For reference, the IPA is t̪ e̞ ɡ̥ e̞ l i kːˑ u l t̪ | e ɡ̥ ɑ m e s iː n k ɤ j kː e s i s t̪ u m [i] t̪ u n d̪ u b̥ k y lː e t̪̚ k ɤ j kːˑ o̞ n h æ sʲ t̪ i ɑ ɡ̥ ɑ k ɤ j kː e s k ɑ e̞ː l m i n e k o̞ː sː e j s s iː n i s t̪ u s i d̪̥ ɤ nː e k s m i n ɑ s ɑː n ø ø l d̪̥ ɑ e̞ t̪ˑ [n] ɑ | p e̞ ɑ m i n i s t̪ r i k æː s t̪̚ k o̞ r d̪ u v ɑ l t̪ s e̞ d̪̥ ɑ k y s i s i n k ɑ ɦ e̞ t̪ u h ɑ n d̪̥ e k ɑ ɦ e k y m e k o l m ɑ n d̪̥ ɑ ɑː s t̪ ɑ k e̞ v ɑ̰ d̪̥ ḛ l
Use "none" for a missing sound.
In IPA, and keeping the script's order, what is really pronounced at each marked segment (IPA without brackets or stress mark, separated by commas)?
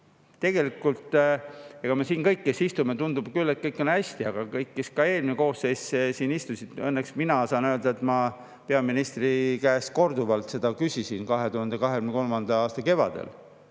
e, m